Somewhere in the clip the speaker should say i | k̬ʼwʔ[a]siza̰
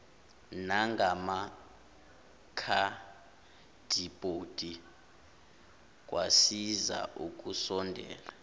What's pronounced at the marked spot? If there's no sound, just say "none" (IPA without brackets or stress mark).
a